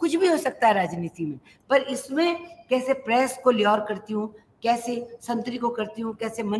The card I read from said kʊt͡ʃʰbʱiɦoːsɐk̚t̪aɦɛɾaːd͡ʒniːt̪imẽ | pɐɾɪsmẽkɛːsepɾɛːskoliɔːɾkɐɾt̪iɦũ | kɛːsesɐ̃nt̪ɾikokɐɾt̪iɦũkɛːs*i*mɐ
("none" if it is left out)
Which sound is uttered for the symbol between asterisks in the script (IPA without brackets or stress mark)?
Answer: e